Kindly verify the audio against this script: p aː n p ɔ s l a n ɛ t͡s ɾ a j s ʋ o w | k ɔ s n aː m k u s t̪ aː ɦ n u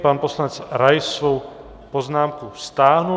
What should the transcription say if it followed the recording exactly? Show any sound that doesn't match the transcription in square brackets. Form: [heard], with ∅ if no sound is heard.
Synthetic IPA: p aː n p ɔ s l a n ɛ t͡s ɾ a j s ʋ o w | [p] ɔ [z] n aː m k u s t̪ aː ɦ n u

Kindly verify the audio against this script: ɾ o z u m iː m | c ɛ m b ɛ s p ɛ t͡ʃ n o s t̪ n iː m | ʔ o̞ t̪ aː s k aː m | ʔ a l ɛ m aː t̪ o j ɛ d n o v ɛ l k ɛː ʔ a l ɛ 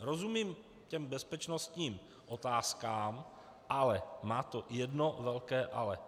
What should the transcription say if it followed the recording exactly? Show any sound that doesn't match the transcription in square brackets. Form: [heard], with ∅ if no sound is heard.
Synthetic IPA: ɾ o z u m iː m | c ɛ m b ɛ s p ɛ t͡ʃ n o s t̪ [ɲ] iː m | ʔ o̞ t̪ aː s k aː m | ʔ a l ɛ m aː t̪ o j ɛ d n o v ɛ l k ɛː ʔ a l ɛ

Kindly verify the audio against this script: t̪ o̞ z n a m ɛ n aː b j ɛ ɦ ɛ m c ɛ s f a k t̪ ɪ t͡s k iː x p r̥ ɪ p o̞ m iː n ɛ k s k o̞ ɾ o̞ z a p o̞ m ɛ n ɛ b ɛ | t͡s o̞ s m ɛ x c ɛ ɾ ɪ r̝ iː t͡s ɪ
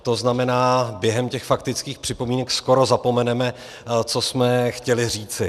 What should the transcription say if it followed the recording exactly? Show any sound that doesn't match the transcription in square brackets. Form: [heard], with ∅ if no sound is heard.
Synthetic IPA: t̪ o̞ z n a m ɛ n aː b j ɛ ɦ ɛ m c ɛ [x] f a k t̪ ɪ t͡s k iː x p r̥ ɪ p o̞ m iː n ɛ k s k o̞ ɾ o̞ z a p o̞ m ɛ n ɛ [m] ɛ | t͡s o̞ s m ɛ x c ɛ [l] ɪ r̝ iː t͡s ɪ

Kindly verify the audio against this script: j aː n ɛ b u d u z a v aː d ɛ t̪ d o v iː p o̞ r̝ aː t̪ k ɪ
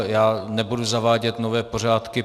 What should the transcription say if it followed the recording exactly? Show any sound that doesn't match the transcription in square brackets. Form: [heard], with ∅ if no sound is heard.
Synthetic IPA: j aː n ɛ b u d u z a v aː [ɟ] ɛ t̪ [n] o v [ɛː] p o̞ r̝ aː t̪ k ɪ

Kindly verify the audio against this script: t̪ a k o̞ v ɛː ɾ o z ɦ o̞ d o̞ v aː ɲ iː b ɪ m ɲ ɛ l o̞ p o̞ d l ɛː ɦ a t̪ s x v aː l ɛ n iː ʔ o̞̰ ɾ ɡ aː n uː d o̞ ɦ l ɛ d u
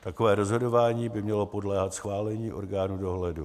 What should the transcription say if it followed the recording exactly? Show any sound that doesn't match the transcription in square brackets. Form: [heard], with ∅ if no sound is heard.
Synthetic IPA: t̪ a k o̞ v ɛː ɾ o z ɦ o̞ d o̞ v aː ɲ iː b ɪ m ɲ ɛ l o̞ p o̞ d l ɛː ɦ a t̪ s x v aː l ɛ [ɲ] iː ʔ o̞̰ ɾ ɡ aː n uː d o̞ ɦ l ɛ d u

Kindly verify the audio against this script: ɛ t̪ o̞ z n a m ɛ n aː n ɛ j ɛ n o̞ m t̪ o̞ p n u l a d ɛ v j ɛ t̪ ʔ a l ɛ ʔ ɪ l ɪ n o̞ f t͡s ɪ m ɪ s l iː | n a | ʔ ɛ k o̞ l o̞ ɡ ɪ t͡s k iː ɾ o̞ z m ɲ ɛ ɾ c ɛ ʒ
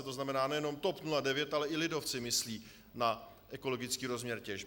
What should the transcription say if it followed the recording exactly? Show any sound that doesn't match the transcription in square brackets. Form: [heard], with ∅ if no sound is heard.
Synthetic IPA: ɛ t̪ o̞ z n a m ɛ n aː n ɛ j ɛ n o̞ m t̪ o̞ p n u l a d ɛ v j ɛ t̪ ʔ a l ɛ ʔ ɪ l ɪ [d] o̞ f t͡s ɪ m ɪ s l iː | n a | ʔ ɛ k o̞ l o̞ ɡ ɪ t͡s k iː ɾ o̞ z m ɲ ɛ ɾ c ɛ ʒ

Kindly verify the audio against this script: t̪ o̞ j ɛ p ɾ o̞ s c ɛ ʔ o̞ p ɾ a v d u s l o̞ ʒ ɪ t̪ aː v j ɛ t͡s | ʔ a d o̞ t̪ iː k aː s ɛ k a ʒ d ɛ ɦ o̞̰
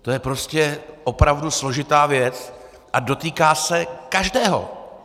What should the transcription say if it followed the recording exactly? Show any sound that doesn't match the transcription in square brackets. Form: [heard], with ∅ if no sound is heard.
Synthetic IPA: t̪ o̞ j ɛ p ɾ o̞ s c ɛ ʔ o̞ p ɾ a v d u s l o̞ ʒ ɪ t̪ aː v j ɛ t͡s | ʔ a d o̞ t̪ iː k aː s ɛ k a ʒ d [ɛː] ɦ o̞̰

